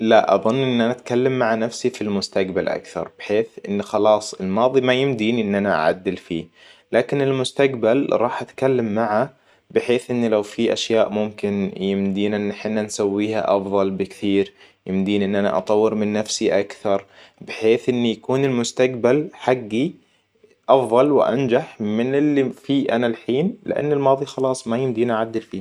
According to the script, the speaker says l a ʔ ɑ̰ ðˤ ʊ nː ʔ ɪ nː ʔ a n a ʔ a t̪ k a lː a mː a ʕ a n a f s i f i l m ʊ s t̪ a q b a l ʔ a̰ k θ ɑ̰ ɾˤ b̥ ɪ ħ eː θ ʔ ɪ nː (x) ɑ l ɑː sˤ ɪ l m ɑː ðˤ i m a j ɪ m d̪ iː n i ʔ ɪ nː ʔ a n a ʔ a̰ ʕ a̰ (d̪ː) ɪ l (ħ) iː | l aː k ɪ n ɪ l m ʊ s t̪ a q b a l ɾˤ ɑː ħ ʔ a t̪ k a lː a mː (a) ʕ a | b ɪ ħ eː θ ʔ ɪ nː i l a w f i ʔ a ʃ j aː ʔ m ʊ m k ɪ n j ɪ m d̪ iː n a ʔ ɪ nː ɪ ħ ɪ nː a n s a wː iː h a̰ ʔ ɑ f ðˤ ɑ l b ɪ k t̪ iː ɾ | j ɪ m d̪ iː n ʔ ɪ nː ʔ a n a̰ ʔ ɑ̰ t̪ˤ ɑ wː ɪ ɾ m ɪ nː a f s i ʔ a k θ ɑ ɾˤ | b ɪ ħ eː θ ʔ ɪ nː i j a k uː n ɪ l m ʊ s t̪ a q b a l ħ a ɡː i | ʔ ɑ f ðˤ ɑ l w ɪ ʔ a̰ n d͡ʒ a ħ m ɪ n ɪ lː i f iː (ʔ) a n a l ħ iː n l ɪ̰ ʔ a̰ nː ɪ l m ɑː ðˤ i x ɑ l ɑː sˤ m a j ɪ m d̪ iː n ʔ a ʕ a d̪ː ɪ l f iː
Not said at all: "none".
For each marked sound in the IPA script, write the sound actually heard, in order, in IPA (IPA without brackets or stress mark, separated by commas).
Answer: x, d̪ː, f, a, ʔ